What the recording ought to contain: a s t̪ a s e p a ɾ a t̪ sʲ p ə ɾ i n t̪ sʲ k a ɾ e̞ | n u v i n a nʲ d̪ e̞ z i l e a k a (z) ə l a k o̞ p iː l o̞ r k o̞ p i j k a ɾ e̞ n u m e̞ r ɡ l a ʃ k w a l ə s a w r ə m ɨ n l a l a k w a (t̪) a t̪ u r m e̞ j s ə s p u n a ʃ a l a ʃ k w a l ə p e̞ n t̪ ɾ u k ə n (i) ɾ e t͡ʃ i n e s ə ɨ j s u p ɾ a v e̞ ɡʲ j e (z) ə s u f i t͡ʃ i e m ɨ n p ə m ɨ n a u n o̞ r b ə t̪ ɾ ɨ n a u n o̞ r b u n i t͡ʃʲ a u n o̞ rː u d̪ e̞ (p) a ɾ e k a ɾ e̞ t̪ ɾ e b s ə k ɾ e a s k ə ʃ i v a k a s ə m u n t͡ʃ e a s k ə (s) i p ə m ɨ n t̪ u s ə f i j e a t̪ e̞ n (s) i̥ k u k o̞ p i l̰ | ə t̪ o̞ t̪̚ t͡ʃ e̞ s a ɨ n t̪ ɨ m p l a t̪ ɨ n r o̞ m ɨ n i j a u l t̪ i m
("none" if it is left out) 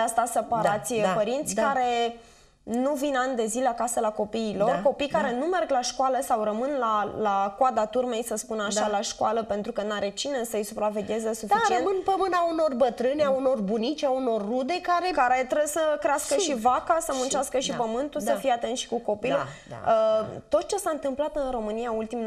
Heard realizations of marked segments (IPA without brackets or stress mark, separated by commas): s, d̪, a, z, k, ʃ, ʃ